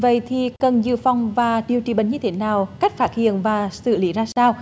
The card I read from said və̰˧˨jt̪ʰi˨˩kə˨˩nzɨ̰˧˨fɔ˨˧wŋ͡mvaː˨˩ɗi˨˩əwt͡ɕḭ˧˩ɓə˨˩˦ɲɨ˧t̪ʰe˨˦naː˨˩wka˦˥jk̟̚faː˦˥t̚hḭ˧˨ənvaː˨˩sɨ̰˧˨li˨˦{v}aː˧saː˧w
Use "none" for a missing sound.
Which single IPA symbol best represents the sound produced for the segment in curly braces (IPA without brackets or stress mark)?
z